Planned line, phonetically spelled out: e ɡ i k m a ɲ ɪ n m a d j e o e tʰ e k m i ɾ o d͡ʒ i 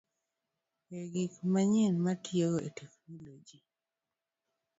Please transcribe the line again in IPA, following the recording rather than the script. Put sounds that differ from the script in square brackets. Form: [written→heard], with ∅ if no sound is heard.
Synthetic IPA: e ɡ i k m a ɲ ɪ n m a [d→t] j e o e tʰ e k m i [ɾ→l] o d͡ʒ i